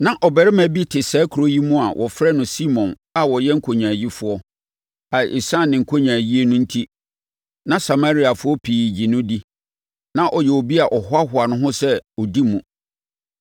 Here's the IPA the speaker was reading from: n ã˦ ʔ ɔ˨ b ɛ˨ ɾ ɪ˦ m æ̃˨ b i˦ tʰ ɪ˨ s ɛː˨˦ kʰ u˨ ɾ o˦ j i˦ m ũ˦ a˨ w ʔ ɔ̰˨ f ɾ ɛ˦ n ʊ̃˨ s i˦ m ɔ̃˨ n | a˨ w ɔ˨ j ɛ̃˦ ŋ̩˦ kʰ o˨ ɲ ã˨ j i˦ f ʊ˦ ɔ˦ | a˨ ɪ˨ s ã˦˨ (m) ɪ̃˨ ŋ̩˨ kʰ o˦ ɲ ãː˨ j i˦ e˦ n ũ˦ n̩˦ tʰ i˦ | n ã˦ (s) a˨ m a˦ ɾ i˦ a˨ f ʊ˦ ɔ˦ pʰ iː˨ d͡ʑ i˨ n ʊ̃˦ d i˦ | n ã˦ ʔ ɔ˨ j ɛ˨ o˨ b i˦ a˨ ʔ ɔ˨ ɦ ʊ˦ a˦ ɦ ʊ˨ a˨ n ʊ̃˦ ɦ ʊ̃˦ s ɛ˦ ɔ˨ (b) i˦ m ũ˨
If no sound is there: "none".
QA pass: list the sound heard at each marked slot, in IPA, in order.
n, s, d

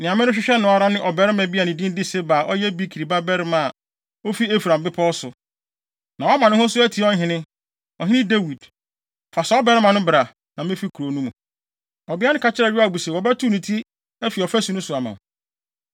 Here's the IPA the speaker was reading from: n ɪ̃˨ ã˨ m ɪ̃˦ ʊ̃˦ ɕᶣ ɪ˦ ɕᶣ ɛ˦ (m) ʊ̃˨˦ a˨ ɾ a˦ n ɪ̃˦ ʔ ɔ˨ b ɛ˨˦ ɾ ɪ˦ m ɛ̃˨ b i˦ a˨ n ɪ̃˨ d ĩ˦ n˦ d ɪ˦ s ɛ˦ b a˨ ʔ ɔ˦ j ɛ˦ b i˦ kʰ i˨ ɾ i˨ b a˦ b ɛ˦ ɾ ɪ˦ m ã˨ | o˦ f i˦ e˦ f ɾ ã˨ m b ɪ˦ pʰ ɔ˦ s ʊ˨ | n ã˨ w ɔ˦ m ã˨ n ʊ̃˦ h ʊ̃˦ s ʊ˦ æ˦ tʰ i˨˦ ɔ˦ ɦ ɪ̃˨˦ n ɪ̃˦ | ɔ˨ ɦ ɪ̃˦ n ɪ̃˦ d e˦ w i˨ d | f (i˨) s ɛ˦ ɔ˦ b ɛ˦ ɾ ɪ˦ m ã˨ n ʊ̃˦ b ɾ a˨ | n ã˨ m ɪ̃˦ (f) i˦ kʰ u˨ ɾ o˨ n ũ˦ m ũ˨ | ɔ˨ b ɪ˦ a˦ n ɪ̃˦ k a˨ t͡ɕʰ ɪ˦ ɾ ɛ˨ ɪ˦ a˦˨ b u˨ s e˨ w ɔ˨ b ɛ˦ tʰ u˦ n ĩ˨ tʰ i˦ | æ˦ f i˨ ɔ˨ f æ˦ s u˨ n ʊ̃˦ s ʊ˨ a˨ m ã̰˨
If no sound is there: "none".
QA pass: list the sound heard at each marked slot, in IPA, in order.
n, a˨, f

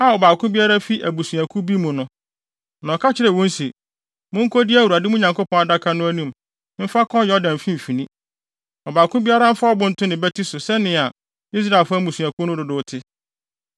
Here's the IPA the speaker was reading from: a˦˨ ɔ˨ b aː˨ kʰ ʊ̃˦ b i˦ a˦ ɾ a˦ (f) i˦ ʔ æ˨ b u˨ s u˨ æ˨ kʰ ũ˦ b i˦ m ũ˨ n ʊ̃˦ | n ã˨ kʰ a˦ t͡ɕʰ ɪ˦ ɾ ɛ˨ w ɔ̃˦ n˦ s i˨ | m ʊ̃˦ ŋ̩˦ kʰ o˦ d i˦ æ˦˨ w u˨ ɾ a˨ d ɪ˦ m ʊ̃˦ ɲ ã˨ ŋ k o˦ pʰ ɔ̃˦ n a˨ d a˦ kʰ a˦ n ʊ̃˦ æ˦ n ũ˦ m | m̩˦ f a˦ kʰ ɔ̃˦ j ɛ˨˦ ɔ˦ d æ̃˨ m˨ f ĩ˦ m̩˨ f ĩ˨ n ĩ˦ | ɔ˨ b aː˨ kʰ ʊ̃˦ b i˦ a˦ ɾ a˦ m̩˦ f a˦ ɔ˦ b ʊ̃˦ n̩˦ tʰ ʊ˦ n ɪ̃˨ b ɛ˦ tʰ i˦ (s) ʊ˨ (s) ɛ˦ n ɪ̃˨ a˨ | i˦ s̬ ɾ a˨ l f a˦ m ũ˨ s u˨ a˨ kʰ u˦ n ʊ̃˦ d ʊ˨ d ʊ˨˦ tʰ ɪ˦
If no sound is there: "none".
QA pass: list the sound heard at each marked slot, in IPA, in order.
f, s, s

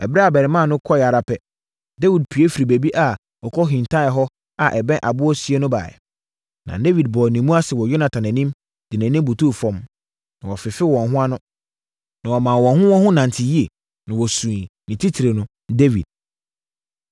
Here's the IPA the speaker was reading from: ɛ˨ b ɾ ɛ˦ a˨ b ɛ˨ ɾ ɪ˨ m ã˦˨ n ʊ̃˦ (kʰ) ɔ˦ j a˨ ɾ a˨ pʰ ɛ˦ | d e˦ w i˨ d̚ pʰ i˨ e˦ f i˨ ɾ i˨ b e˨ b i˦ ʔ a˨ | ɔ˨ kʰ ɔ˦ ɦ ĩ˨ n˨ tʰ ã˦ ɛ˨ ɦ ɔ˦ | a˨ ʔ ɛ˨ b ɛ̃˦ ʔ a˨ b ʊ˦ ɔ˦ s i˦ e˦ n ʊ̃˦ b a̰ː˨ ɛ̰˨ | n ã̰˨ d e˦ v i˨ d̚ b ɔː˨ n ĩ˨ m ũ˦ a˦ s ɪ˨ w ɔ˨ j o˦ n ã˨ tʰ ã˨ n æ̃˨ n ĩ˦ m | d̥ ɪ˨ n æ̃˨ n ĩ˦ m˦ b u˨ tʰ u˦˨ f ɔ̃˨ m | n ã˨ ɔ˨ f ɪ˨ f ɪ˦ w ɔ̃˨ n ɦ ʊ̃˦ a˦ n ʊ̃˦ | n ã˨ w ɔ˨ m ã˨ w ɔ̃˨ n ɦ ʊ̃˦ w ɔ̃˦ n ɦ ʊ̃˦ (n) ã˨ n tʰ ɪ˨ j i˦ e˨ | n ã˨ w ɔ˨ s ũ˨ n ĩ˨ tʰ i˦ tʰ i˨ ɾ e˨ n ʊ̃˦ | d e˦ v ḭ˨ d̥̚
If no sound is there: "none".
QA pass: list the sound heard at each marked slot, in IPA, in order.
kʰ, n

